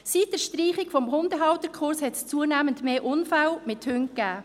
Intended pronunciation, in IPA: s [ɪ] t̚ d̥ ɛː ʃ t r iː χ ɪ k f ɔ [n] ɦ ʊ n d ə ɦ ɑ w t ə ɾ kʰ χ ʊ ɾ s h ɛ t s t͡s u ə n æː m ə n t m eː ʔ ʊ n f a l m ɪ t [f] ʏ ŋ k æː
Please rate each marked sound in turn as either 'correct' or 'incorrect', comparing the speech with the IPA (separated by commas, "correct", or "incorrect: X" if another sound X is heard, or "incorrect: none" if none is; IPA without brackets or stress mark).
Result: incorrect: i, incorrect: m, incorrect: h